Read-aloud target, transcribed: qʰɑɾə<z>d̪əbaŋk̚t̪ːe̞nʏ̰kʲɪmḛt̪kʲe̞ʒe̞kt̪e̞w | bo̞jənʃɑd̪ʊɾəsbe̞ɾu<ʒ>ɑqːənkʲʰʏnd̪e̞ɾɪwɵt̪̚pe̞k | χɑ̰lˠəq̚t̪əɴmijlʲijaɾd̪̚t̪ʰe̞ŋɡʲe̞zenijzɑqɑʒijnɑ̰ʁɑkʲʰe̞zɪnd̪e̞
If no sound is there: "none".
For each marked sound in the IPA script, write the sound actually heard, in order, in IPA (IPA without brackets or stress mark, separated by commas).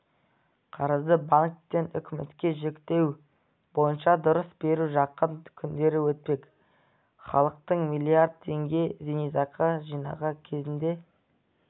z, ʒ